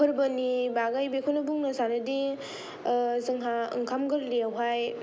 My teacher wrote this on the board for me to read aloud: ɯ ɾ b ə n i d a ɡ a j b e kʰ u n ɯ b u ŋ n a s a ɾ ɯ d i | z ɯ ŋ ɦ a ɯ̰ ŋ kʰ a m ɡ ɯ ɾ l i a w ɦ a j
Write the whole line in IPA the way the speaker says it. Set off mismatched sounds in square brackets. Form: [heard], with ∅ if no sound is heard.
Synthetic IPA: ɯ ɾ b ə n i [b] a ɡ a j b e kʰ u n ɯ b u ŋ n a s a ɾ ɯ d i | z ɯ ŋ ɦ a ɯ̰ ŋ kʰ a m ɡ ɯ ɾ l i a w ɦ a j